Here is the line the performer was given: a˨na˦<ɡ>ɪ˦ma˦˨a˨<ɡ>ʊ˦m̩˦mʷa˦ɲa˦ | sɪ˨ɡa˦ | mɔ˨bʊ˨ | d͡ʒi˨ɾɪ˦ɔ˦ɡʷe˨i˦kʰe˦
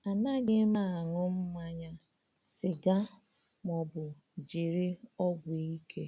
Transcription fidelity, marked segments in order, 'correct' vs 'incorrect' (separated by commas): correct, incorrect